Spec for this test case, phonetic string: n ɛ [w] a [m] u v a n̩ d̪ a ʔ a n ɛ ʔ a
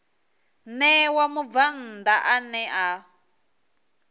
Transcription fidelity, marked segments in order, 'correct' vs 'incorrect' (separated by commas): correct, correct